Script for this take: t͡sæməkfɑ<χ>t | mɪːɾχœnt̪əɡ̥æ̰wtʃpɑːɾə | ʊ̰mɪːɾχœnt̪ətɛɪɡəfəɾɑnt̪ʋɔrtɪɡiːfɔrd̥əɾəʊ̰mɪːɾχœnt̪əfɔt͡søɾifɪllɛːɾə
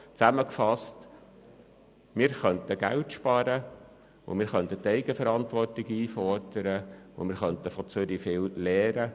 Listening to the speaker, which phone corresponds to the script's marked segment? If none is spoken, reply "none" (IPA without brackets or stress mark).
s